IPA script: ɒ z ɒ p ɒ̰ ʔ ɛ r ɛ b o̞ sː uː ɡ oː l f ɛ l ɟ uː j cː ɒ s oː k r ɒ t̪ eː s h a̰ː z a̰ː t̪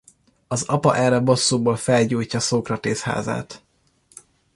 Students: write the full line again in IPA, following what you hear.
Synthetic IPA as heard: ɒ z ɒ p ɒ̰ ʔ ɛ r ɛ b o̞ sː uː b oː l f ɛ l ɟ uː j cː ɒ s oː k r ɒ t̪ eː s h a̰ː z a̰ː t̪